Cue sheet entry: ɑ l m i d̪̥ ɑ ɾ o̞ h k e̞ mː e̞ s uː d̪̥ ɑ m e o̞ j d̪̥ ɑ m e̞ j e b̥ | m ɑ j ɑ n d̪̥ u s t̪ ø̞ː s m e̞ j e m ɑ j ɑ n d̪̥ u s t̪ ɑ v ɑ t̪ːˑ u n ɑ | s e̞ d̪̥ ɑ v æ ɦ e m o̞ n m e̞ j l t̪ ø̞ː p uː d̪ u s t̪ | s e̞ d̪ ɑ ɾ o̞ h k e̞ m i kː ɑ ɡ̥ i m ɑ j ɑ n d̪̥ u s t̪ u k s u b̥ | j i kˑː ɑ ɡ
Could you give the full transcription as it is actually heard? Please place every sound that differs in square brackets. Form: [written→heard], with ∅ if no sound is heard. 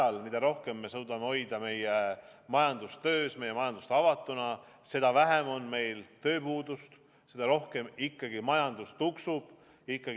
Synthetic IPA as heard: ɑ l m i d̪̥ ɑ ɾ o̞ h k e̞ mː e̞ s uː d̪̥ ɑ m e o̞ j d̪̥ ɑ m e̞ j e [b̥→∅] | m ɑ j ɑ n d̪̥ u s t̪ ø̞ː s m e̞ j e m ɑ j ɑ n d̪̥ u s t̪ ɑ v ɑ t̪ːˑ u n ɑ | s e̞ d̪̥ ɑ v æ ɦ e m o̞ n m e̞ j l t̪ ø̞ː p uː d̪ u s t̪ | s e̞ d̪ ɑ ɾ o̞ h k e̞ m i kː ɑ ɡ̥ i m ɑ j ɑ n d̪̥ u s t̪ u k s u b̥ | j i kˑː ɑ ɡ